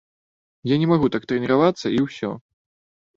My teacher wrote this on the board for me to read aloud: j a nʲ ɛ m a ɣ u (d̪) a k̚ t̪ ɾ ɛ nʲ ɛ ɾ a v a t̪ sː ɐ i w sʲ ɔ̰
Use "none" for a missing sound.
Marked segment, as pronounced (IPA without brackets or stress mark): t̪